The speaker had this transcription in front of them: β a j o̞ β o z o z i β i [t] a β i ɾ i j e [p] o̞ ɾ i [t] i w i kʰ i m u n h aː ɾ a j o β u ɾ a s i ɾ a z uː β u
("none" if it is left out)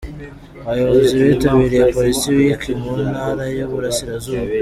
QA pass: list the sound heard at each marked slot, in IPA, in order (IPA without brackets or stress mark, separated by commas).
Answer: t, p, s